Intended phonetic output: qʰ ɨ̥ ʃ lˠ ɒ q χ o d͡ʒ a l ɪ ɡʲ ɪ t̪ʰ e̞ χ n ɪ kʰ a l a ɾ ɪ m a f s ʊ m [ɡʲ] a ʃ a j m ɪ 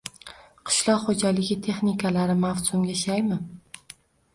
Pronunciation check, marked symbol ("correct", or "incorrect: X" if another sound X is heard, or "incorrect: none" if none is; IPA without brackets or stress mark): correct